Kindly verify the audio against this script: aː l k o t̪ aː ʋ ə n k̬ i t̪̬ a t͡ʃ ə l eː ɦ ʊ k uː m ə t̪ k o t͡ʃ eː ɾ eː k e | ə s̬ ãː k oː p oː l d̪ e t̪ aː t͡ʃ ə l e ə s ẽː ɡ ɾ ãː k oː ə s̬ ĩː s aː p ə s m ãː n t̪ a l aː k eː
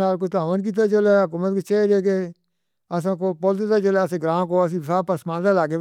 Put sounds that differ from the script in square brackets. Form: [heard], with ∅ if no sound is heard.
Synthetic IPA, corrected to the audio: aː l k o t̪ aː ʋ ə n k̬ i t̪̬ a t͡ʃ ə l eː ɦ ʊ k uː m ə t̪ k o t͡ʃ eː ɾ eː k e | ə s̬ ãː k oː p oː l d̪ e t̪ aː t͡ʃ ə l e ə s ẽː ɡ ɾ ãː k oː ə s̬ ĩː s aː p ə s m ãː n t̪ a l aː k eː